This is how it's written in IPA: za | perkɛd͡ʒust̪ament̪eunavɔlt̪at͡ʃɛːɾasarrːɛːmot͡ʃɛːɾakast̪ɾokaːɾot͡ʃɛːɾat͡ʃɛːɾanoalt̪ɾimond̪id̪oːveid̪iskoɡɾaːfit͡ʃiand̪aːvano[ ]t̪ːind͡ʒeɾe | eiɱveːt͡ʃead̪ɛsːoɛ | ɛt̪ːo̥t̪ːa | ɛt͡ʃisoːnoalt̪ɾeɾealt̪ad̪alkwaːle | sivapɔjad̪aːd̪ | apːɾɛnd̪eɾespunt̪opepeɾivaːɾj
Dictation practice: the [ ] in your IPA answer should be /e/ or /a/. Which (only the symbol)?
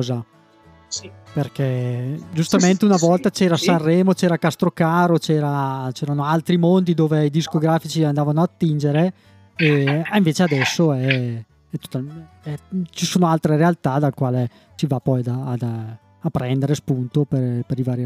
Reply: a